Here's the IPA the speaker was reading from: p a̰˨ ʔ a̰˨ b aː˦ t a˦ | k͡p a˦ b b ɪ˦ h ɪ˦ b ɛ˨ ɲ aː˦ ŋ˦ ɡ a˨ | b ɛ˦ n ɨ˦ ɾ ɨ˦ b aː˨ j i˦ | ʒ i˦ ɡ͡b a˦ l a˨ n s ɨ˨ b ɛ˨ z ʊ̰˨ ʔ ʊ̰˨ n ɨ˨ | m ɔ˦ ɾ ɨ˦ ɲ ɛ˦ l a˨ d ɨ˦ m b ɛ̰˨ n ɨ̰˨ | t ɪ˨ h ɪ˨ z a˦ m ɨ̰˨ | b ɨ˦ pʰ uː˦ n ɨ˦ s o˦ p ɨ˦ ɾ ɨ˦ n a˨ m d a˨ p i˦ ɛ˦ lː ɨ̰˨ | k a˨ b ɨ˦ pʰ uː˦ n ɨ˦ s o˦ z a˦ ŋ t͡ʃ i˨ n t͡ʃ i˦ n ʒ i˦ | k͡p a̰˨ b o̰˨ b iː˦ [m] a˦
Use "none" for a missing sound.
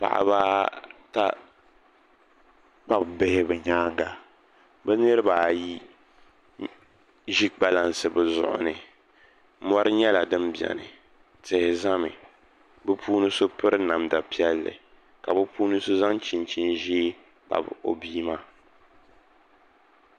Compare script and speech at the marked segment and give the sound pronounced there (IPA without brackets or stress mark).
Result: m